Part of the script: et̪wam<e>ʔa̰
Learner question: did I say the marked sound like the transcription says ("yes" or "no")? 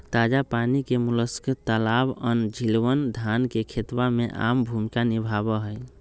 yes